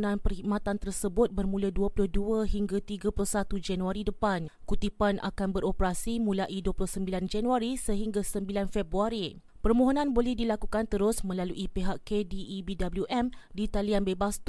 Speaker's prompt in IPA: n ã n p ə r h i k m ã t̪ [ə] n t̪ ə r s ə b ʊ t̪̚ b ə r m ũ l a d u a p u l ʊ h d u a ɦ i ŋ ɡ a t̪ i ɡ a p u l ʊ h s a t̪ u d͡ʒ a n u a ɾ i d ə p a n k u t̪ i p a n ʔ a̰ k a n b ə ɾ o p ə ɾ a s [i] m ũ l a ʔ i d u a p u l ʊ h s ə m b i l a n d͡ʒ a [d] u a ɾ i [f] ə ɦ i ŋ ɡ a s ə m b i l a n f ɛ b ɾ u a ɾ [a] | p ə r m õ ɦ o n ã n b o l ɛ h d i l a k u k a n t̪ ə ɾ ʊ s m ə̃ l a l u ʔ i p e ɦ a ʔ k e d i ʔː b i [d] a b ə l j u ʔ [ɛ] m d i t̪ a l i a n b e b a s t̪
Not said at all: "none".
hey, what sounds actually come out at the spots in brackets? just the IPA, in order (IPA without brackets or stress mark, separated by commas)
a, i, n, s, i, d, ɛ